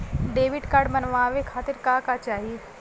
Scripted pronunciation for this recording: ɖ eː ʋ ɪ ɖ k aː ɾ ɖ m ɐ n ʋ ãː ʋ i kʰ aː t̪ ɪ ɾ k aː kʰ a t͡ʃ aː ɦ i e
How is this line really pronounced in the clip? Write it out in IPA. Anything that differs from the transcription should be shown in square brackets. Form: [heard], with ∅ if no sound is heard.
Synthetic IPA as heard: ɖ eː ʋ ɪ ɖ k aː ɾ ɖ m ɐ n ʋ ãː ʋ [e] kʰ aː t̪ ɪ ɾ k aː [k] a t͡ʃ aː ɦ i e